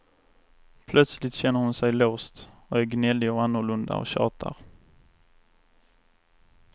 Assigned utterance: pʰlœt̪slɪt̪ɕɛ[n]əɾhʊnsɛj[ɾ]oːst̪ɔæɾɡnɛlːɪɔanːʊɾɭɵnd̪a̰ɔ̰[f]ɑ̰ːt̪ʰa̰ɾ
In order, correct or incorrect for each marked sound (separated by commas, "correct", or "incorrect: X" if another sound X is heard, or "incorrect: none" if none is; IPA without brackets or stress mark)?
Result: incorrect: nː, incorrect: l, incorrect: ɕ